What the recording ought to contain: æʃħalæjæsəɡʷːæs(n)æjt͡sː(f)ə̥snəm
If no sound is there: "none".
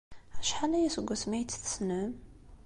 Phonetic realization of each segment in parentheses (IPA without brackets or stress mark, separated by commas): m, θ